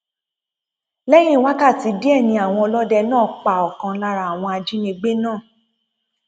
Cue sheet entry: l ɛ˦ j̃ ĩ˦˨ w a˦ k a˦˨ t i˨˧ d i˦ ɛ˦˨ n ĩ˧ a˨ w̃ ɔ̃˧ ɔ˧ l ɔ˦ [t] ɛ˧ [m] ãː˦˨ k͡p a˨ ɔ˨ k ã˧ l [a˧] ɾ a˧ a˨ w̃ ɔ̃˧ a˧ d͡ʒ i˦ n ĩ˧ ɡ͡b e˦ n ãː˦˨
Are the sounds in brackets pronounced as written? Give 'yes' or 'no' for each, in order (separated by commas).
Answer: no, no, yes